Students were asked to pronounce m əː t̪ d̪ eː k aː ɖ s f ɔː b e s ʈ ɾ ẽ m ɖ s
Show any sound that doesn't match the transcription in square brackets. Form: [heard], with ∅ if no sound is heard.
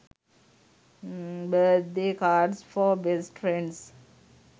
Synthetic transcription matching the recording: [b] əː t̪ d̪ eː k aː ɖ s f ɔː b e s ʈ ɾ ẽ [ɳ] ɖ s